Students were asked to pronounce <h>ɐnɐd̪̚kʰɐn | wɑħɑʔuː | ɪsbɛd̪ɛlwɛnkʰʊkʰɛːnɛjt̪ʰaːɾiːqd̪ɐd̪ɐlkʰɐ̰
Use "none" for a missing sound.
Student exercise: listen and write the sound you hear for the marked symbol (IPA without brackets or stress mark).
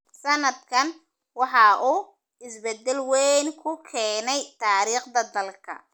s